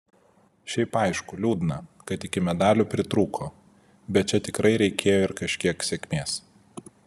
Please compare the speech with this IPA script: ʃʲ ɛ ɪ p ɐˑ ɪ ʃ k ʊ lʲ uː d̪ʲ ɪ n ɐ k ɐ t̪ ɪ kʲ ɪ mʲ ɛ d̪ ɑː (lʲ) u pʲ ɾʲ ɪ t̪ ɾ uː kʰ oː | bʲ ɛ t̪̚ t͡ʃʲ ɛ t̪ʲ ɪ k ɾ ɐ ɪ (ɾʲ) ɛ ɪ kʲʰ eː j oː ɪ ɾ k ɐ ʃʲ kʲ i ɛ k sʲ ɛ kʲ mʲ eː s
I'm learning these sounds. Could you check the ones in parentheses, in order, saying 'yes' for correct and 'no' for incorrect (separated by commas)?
yes, yes